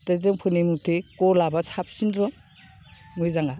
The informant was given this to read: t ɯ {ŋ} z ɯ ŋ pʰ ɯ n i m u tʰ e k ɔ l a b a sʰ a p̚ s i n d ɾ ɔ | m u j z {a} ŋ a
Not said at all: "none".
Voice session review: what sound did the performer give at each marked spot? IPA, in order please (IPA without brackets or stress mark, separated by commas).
none, a